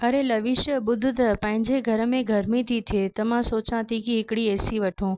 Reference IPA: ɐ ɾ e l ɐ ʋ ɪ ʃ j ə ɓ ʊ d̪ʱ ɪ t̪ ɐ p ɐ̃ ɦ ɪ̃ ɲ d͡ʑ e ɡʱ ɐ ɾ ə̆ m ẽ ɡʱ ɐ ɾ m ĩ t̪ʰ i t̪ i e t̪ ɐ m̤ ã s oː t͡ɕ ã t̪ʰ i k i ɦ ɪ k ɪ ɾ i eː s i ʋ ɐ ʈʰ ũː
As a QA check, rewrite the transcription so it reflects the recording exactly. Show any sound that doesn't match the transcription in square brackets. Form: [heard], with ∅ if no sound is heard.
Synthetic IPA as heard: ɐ ɾ e l ɐ ʋ ɪ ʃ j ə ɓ ʊ d̪ʱ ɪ t̪ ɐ p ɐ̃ ɦ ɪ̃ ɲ d͡ʑ e ɡʱ ɐ ɾ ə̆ m ẽ ɡʱ ɐ ɾ m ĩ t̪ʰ i [t̪ʰ] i e t̪ ɐ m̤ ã s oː t͡ɕ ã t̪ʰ i k i ɦ ɪ k ɪ [ɽ] i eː s i ʋ ɐ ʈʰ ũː